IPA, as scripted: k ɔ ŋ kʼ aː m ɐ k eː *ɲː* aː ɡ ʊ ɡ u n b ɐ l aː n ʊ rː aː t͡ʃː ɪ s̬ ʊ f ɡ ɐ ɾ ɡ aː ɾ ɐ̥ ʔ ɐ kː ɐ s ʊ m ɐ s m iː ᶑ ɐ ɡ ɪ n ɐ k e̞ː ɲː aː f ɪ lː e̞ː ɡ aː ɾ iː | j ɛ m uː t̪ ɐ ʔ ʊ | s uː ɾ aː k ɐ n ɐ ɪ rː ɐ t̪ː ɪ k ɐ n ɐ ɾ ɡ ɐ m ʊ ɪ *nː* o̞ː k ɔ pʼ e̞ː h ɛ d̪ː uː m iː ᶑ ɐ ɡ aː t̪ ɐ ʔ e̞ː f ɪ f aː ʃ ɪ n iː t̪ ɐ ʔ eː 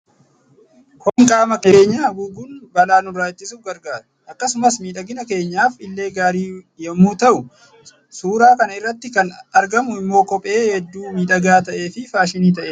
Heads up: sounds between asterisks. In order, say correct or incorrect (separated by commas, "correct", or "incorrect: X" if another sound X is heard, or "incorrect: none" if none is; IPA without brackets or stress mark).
correct, incorrect: mː